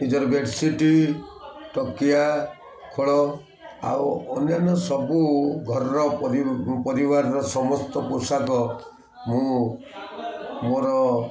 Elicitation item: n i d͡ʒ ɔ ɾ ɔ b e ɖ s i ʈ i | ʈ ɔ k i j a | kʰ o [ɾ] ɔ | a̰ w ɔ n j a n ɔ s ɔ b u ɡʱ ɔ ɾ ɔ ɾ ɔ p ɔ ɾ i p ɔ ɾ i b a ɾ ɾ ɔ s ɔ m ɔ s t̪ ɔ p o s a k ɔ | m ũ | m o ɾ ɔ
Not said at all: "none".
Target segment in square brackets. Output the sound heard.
ɭ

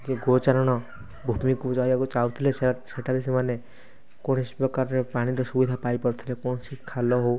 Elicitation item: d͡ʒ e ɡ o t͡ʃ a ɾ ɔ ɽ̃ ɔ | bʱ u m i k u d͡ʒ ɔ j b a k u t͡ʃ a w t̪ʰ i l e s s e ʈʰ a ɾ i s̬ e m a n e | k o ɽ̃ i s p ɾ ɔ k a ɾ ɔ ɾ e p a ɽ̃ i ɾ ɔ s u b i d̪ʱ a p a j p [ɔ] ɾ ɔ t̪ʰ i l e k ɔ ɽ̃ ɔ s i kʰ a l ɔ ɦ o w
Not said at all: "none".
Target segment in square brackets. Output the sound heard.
ɔ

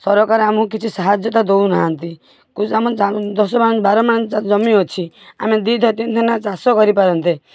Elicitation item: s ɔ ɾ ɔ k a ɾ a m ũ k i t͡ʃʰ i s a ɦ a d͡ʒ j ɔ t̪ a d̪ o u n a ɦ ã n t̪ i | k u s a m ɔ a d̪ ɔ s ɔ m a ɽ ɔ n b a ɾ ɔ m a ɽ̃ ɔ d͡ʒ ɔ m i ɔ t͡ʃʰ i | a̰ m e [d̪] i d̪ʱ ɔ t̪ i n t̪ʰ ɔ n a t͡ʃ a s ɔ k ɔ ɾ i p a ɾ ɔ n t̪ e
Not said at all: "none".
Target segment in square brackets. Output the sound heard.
d̪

